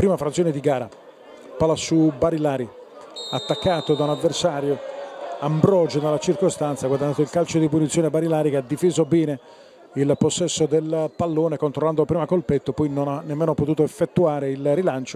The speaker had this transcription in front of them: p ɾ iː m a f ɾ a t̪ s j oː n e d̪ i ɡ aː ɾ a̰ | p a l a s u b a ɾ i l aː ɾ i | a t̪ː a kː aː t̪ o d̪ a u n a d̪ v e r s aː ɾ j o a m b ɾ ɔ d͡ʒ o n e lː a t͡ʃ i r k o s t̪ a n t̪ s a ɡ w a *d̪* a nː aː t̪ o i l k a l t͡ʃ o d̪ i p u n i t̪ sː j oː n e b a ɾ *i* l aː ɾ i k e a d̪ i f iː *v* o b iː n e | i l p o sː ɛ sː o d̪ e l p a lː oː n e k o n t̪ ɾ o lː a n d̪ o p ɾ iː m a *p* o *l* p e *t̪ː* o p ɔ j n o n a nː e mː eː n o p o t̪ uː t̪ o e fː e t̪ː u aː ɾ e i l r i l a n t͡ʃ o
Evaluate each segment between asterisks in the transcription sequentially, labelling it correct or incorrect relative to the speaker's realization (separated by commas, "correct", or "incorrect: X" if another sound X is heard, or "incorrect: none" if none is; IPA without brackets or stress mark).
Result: correct, correct, incorrect: z, incorrect: k, correct, correct